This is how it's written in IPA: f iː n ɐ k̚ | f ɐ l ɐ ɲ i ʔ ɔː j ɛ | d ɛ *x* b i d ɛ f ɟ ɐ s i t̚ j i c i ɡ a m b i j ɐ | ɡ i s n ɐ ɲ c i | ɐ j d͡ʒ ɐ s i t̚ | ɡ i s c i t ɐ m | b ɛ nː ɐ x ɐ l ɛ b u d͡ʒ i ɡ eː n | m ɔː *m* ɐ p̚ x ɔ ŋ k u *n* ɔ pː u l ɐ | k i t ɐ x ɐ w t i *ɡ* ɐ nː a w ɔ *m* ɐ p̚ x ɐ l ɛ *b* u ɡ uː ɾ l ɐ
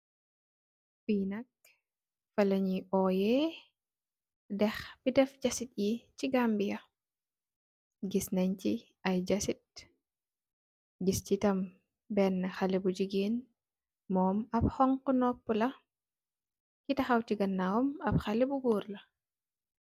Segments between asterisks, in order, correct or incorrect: correct, correct, correct, correct, correct, correct

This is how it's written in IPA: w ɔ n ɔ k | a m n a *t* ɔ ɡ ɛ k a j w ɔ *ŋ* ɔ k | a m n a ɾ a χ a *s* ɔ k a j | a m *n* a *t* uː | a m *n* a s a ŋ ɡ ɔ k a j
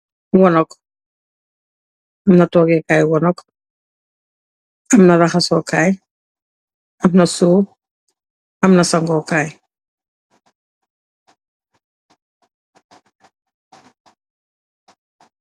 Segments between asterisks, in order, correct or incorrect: correct, incorrect: n, correct, correct, incorrect: s, correct

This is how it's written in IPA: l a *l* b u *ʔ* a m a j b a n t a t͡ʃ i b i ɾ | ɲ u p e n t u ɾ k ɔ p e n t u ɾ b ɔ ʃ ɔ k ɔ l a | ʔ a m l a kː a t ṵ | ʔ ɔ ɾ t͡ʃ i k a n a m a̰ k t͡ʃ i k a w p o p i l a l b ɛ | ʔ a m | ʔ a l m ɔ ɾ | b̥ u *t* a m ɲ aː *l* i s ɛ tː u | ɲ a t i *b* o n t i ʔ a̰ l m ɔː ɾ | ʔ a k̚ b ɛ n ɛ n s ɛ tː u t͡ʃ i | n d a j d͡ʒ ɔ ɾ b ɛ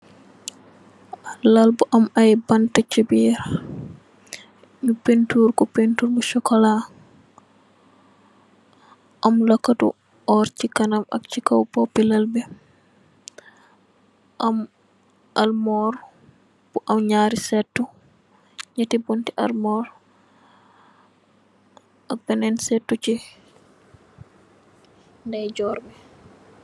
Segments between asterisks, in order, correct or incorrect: correct, correct, incorrect: ʔ, incorrect: ɾ, correct

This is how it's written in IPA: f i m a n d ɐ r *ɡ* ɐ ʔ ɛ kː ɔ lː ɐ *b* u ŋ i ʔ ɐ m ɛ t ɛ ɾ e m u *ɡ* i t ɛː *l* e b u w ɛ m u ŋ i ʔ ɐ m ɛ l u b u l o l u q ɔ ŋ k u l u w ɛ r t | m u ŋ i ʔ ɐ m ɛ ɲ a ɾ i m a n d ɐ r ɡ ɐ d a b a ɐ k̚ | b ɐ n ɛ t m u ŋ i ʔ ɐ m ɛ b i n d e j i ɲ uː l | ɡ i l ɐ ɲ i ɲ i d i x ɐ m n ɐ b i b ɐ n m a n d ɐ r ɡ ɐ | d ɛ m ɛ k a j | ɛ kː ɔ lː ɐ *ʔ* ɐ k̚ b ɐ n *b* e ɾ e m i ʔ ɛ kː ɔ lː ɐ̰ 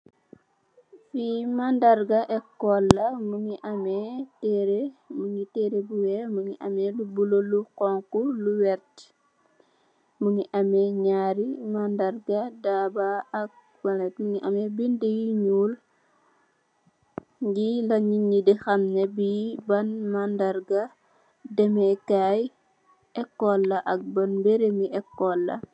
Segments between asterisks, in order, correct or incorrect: correct, incorrect: m, incorrect: ŋ, incorrect: ɾ, correct, correct

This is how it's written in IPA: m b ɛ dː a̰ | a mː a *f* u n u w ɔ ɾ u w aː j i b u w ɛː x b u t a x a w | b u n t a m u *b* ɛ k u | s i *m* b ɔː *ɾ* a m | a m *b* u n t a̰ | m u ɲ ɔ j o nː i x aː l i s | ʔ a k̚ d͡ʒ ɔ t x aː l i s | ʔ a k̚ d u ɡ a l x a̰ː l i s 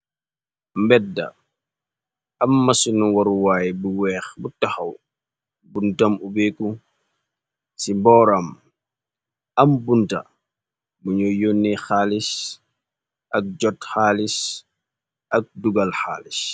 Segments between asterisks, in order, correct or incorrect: incorrect: s, correct, correct, correct, correct

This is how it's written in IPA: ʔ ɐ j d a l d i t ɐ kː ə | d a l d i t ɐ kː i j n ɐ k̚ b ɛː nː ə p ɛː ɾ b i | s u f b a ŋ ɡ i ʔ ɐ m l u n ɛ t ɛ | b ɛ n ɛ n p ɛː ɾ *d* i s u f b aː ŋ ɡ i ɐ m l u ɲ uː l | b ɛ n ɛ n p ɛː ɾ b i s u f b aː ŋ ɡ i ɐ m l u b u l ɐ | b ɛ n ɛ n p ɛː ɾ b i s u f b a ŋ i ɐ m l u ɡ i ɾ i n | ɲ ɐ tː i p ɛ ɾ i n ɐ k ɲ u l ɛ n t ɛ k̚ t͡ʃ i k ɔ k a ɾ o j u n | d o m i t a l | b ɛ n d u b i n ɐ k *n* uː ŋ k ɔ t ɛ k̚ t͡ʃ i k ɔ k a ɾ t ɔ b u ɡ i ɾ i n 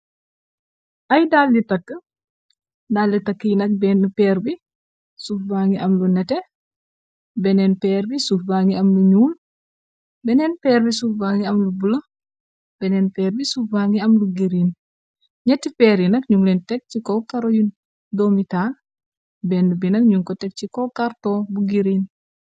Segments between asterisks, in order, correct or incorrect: incorrect: b, incorrect: ɲ

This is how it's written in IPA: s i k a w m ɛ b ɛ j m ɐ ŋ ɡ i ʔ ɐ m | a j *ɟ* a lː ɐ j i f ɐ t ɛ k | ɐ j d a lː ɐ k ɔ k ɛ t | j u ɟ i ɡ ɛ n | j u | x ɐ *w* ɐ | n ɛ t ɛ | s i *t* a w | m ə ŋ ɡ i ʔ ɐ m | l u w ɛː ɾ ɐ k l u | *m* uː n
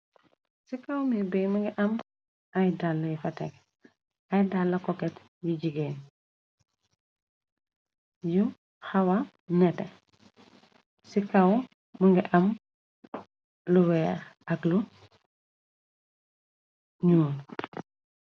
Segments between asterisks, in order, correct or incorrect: incorrect: d, correct, incorrect: k, incorrect: ɲ

